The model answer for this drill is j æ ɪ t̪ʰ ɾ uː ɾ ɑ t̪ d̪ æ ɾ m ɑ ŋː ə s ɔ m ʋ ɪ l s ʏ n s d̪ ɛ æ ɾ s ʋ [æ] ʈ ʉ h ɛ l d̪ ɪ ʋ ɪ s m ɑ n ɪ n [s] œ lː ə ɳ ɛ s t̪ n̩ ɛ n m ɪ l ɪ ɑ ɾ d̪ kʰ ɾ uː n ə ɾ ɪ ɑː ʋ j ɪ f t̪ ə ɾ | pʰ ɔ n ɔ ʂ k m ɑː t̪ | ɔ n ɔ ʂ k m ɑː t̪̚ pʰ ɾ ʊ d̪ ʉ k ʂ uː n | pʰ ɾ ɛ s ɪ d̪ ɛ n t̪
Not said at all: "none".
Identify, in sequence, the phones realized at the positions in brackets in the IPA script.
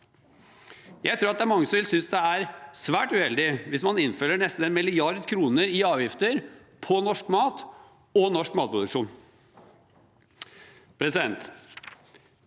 æː, f

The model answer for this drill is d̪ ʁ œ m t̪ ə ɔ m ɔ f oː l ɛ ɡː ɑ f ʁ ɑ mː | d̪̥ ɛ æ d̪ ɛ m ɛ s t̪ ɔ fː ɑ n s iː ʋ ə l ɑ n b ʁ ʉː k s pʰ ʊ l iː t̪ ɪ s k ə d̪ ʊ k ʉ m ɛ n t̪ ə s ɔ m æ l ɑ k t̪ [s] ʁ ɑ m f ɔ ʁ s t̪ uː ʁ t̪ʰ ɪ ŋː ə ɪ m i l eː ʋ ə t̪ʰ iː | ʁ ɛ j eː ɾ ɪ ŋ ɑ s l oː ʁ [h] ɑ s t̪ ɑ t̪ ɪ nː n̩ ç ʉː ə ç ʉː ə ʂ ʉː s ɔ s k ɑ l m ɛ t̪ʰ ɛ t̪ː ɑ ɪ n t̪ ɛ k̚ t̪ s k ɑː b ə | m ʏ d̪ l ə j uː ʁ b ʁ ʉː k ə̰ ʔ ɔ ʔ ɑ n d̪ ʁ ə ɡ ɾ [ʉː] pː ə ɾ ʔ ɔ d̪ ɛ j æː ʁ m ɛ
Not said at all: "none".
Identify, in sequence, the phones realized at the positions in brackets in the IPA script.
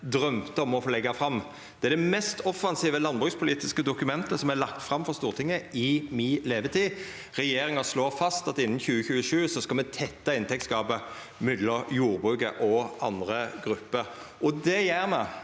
f, f, ʉ

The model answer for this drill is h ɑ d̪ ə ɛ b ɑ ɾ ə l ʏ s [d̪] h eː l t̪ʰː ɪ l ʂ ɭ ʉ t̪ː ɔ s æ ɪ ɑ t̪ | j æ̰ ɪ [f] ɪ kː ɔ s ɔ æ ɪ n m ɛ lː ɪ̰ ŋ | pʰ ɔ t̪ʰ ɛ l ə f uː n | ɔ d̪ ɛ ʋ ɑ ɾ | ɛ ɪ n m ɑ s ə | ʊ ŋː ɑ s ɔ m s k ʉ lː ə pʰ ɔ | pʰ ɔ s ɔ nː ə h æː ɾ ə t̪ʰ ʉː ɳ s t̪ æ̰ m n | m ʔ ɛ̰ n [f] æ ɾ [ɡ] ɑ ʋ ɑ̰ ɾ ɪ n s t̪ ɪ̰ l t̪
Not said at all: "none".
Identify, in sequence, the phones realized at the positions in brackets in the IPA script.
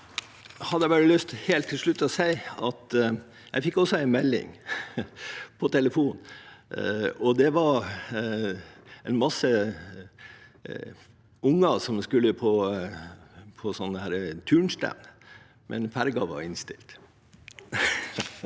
t̪, f, f, ɡ

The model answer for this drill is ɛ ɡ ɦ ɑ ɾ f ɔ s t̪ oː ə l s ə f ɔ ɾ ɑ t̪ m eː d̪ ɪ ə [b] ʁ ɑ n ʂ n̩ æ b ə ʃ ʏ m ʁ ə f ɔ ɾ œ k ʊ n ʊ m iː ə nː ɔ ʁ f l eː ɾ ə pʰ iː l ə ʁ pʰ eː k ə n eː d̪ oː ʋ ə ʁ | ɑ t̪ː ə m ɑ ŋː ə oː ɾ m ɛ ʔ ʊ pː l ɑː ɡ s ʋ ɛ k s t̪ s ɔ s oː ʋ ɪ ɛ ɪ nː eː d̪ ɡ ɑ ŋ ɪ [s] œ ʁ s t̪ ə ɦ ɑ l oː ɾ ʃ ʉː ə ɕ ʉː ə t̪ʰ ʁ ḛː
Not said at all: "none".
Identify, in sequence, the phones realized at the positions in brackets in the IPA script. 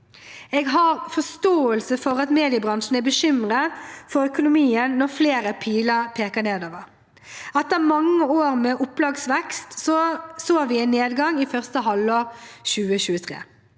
b, f

